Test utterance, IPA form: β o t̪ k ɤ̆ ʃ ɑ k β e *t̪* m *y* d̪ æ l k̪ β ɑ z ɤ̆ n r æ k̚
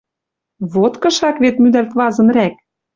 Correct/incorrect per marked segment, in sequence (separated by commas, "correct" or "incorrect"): correct, correct